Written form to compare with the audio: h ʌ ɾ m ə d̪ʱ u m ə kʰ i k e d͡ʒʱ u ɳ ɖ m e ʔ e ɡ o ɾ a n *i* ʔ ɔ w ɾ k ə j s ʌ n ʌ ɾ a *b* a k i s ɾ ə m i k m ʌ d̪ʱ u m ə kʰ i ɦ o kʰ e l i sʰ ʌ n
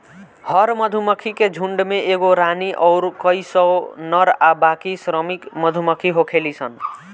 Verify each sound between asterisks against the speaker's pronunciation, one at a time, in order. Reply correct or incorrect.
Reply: correct, correct

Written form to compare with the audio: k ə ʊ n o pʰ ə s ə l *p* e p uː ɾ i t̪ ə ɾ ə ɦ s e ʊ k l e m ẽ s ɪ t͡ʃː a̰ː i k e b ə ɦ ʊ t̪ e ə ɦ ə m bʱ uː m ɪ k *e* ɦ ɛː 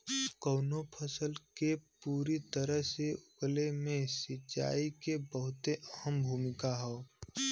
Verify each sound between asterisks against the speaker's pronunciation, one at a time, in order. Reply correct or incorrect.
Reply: incorrect, incorrect

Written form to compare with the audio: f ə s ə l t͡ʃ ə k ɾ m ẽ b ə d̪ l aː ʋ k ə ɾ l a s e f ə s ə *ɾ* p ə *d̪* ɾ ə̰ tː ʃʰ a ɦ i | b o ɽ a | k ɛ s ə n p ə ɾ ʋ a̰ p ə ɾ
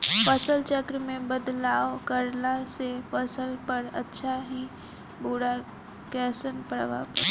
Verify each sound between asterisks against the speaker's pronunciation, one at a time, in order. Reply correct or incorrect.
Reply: incorrect, incorrect

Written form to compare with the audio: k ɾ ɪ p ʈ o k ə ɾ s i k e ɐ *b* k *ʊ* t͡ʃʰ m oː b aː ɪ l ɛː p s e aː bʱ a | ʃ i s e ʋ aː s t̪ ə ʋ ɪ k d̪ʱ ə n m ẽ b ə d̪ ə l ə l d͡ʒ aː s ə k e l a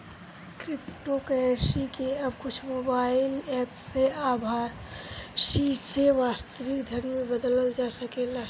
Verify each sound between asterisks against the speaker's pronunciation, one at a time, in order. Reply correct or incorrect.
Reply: correct, correct

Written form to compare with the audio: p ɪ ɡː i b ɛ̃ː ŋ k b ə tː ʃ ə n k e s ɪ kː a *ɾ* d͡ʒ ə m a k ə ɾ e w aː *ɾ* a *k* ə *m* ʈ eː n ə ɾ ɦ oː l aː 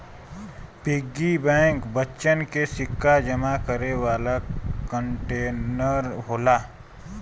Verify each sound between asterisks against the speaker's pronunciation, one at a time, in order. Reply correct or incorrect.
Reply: incorrect, incorrect, correct, incorrect

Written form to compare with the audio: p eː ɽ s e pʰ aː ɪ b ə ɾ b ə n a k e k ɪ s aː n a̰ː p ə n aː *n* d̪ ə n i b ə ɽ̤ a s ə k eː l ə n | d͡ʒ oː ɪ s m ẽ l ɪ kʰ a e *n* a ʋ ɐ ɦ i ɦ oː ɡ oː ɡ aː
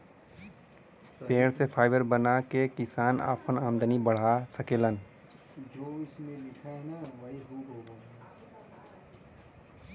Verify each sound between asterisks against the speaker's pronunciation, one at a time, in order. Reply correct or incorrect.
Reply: incorrect, correct

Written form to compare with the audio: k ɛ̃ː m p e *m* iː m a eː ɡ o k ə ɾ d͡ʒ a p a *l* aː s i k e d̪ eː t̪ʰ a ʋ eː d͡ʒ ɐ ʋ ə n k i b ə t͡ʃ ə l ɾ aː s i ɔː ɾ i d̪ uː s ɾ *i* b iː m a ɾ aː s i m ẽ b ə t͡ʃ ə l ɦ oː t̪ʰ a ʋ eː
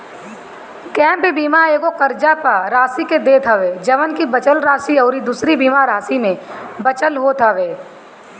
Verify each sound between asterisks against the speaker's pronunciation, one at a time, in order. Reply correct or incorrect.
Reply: incorrect, incorrect, correct

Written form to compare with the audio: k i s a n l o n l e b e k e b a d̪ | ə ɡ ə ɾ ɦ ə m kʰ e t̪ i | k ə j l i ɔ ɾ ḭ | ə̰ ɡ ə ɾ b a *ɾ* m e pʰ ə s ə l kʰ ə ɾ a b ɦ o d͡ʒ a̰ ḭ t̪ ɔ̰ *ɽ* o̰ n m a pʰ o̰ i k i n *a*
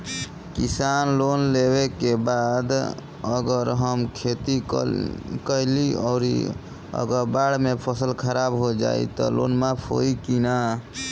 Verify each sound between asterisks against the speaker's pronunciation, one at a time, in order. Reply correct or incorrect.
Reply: incorrect, incorrect, correct

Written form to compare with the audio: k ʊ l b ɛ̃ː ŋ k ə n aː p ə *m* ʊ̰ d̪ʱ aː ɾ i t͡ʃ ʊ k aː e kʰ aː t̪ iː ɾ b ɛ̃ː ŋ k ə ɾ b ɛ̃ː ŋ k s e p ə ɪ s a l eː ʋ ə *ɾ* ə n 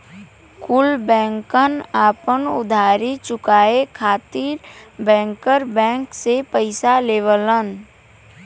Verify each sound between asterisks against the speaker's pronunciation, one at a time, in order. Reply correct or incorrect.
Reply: incorrect, incorrect

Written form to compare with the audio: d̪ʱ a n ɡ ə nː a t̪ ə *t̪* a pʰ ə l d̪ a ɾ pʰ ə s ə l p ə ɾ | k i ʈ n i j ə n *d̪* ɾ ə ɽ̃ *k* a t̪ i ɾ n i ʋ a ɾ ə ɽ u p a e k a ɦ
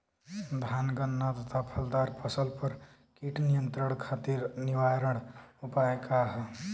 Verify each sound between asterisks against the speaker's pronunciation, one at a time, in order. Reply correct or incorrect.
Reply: incorrect, incorrect, incorrect

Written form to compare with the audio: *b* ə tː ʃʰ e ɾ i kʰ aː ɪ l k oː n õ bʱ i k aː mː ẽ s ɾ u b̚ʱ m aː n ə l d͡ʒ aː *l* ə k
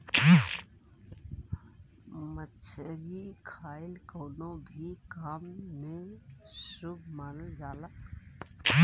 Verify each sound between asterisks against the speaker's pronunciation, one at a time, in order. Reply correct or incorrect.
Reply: incorrect, correct

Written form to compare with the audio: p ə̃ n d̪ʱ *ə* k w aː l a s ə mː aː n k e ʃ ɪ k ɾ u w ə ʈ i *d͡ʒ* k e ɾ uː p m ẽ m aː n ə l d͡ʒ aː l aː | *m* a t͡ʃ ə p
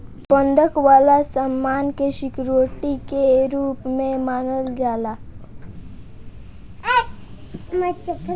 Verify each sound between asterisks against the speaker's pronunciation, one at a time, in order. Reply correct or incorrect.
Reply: correct, incorrect, correct

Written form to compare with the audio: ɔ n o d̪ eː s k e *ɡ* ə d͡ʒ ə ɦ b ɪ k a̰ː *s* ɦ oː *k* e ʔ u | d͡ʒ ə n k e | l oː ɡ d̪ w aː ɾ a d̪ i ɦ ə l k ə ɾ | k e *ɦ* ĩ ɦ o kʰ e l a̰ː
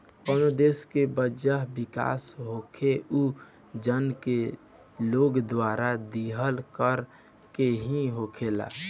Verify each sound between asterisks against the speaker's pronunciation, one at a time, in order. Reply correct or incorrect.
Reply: incorrect, correct, incorrect, correct

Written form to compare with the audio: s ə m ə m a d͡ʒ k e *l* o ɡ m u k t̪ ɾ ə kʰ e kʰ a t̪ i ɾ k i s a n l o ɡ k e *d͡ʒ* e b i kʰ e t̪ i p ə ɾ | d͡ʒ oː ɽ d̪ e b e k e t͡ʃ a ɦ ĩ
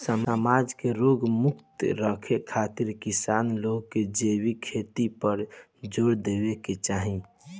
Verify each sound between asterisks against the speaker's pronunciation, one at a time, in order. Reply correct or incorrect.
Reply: incorrect, correct

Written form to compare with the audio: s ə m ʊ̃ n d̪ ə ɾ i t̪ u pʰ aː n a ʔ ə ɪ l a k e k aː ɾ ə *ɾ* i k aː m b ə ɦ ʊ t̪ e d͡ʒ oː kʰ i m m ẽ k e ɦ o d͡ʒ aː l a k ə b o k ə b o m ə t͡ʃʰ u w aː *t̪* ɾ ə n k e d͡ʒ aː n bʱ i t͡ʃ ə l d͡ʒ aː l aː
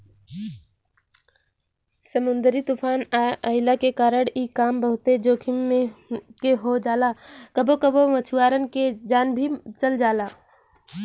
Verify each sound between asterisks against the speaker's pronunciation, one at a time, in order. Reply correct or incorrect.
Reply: incorrect, incorrect

